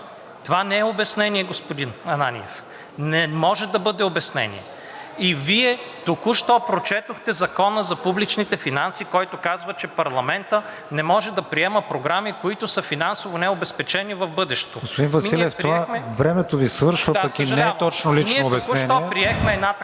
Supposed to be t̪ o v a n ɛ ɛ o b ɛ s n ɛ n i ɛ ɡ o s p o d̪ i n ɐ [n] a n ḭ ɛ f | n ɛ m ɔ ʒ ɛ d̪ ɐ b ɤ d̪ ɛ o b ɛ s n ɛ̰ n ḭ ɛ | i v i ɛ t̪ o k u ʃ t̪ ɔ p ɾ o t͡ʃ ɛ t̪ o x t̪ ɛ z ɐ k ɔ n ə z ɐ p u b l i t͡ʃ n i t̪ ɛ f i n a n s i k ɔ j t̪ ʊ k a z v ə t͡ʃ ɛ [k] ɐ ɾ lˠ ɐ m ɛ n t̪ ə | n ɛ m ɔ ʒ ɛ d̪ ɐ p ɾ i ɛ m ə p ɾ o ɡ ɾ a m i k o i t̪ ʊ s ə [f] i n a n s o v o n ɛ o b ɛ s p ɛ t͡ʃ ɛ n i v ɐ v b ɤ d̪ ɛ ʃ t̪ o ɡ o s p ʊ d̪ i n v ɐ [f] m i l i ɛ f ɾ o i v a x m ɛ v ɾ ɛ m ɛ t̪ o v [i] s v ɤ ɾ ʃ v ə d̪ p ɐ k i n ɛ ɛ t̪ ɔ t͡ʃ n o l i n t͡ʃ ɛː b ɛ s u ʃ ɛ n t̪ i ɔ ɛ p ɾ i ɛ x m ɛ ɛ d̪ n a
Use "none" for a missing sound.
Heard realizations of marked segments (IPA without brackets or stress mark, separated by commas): n, p, f, s, i